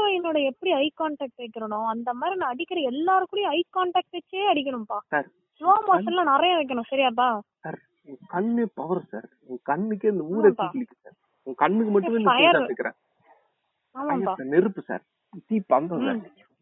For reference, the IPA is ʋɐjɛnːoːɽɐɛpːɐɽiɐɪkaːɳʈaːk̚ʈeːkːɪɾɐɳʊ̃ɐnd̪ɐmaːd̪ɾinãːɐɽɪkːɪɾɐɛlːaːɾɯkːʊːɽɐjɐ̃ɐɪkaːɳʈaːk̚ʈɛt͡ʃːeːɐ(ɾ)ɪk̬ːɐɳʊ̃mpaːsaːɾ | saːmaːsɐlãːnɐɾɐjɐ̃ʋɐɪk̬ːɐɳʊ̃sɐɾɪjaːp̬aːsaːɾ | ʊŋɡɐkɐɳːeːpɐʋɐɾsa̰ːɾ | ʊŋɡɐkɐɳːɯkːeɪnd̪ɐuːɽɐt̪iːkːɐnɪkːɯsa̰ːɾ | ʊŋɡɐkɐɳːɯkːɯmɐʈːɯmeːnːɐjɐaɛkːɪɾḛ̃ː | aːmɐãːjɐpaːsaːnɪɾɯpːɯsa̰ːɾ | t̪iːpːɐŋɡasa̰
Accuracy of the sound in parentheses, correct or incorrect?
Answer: incorrect